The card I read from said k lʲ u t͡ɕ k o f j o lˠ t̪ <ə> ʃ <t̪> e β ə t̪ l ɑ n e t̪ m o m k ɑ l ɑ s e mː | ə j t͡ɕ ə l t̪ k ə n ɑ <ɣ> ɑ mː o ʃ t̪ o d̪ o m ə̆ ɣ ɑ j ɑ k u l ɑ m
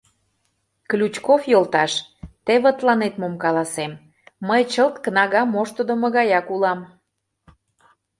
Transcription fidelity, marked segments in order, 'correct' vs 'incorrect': incorrect: ɑ, correct, correct

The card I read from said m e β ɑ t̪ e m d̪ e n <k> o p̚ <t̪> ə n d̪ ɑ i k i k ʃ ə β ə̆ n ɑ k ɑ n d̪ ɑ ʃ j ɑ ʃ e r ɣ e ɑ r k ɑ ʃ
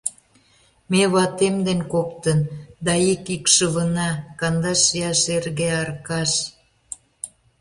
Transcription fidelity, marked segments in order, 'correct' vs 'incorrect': correct, correct

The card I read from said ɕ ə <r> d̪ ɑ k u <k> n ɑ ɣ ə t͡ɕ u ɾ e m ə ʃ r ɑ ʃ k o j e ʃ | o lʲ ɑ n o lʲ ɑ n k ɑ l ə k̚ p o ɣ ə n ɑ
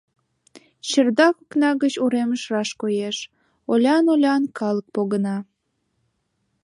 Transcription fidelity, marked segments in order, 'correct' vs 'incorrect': correct, correct

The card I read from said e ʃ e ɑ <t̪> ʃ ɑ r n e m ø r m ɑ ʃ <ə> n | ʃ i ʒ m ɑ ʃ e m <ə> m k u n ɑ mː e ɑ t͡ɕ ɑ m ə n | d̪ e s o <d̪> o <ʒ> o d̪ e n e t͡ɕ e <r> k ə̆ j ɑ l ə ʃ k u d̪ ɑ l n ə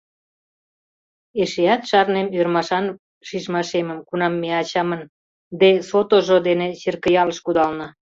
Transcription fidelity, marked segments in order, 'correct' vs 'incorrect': correct, incorrect: ɑ, correct, incorrect: t̪, correct, correct

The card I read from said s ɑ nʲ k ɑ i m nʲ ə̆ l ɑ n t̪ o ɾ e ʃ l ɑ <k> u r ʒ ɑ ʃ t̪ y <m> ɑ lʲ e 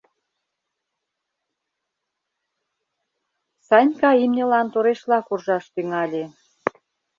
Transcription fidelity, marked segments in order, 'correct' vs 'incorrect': correct, incorrect: ŋ

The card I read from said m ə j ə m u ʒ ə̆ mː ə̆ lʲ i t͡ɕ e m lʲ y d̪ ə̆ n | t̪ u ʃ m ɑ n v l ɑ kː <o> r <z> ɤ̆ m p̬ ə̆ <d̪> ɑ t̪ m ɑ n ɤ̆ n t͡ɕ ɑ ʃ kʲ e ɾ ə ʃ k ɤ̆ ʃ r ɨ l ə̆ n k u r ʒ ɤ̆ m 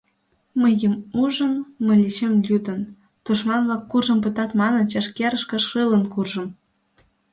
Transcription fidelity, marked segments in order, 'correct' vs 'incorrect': incorrect: u, incorrect: ʒ, incorrect: t̪

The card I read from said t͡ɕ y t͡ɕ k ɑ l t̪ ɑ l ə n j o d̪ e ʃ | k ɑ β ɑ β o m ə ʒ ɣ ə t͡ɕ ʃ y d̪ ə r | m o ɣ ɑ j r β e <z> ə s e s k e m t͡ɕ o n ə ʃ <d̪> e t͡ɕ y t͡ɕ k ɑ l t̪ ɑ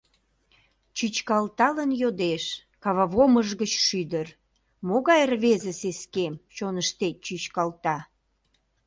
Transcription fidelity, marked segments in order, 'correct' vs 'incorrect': correct, incorrect: t̪

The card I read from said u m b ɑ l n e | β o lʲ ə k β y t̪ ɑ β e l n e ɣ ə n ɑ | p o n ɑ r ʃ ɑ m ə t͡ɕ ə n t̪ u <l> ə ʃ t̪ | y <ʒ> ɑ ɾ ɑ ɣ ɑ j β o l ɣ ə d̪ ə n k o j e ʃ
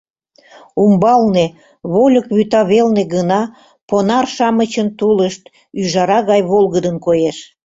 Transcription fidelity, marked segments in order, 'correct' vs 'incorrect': correct, correct

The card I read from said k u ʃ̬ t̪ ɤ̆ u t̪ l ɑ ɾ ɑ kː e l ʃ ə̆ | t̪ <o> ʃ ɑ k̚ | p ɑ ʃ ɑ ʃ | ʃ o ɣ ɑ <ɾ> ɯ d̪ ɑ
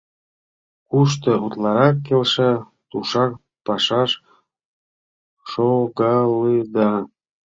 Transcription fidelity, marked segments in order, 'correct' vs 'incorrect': incorrect: u, incorrect: l

